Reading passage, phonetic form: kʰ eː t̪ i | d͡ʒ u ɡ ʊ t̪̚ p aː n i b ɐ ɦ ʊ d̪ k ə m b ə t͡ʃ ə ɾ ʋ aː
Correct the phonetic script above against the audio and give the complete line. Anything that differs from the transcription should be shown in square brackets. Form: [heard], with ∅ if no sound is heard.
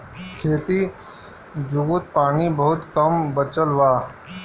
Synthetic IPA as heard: kʰ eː t̪ i | d͡ʒ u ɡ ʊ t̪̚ p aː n i b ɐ ɦ ʊ [t̪] k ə m b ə t͡ʃ ə [l] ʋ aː